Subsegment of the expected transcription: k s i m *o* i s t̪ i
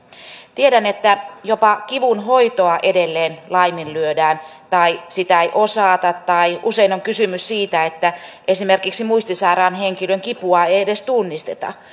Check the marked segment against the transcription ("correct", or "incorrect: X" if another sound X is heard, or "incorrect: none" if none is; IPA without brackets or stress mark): incorrect: u